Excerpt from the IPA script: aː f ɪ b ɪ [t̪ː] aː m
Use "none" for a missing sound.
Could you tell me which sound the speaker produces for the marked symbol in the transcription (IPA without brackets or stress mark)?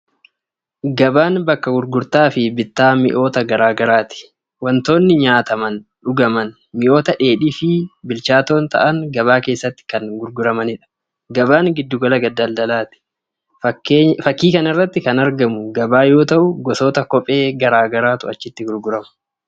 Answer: t̪ː